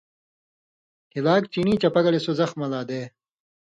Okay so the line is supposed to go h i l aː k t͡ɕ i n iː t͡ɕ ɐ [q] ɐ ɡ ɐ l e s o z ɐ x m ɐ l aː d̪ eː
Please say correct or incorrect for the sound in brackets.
incorrect: p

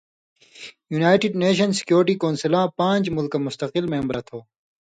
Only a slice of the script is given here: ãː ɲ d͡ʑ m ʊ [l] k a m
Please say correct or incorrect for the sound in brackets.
correct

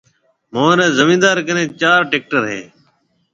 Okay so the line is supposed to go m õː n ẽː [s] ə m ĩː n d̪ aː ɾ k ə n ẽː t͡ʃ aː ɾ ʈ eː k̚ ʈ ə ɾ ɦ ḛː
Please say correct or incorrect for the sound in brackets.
incorrect: z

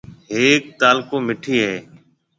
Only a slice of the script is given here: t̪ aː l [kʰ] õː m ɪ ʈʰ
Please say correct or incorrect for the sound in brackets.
incorrect: k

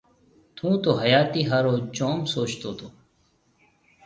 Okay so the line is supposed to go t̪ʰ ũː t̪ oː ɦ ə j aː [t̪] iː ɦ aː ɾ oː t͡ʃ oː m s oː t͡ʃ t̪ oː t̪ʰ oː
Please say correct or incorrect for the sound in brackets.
correct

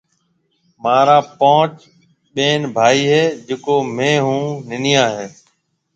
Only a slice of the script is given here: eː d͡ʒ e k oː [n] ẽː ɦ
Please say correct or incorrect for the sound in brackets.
incorrect: m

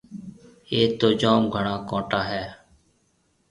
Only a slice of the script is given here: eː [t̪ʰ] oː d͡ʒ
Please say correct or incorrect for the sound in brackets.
incorrect: t̪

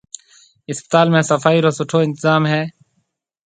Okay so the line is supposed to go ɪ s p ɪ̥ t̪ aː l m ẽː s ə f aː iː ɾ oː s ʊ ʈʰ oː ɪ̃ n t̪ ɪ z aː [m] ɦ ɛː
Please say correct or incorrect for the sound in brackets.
correct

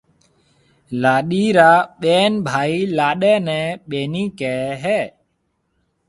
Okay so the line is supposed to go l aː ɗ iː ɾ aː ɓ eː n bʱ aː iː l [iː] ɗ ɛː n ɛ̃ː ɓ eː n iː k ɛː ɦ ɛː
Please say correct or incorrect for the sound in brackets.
incorrect: aː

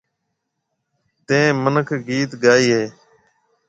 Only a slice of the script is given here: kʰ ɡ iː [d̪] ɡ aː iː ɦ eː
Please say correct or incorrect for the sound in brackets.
incorrect: t̪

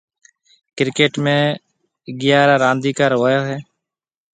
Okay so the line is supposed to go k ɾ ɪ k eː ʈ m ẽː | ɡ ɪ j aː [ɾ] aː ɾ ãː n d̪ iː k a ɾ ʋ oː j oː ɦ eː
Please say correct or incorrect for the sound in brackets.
correct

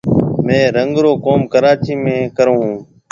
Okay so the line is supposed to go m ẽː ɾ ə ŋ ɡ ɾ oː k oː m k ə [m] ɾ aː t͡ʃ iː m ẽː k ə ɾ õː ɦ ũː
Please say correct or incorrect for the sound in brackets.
incorrect: none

